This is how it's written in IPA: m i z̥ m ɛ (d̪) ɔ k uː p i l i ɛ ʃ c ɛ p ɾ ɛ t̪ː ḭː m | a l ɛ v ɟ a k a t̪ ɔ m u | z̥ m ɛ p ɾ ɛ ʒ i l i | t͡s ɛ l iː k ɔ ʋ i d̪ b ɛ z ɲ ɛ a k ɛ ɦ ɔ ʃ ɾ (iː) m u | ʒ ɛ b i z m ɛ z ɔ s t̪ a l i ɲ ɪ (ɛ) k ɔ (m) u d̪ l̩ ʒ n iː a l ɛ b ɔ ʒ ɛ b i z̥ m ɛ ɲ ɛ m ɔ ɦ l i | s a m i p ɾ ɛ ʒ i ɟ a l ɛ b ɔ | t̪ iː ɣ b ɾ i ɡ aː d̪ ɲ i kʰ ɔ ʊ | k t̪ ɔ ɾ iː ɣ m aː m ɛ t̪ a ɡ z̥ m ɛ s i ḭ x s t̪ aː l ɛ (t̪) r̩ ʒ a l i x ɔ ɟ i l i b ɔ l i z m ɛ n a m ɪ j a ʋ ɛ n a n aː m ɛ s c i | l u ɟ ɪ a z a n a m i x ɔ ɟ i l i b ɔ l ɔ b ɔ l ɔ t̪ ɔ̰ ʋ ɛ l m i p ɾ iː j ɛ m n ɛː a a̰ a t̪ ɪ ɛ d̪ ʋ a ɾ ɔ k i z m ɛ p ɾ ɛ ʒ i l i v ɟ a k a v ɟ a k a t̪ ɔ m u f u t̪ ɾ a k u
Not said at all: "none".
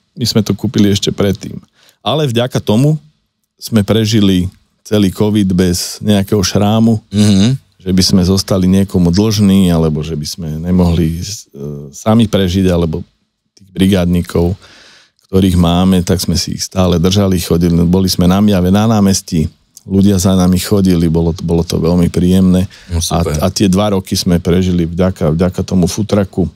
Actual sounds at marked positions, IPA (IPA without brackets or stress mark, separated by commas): t̪, aː, ɛ, m, d̪